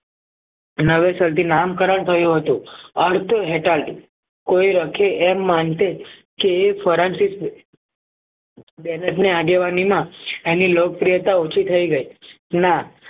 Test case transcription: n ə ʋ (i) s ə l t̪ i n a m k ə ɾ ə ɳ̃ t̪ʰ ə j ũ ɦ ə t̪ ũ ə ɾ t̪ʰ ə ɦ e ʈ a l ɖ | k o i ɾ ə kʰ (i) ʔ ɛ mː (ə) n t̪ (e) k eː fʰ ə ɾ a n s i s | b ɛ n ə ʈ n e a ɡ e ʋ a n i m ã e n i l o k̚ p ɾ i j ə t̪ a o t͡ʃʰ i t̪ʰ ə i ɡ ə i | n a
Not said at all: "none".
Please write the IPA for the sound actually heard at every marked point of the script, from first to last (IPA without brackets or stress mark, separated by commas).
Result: e, e, a, e